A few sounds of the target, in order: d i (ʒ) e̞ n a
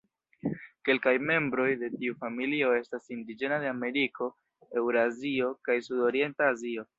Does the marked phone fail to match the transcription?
yes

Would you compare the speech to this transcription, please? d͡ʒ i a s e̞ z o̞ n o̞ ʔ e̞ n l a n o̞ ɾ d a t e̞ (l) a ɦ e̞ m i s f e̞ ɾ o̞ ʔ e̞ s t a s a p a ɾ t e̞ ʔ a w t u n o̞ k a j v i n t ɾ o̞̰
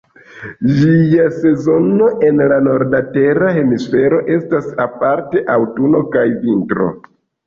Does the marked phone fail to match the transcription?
yes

